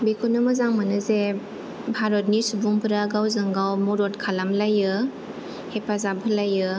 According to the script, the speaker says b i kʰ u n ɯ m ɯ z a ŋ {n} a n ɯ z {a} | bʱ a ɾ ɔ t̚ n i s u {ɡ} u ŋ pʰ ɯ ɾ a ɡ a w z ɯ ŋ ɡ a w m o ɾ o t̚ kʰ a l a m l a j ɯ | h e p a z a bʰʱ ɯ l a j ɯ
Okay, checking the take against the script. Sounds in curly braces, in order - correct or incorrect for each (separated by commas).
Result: incorrect, incorrect, incorrect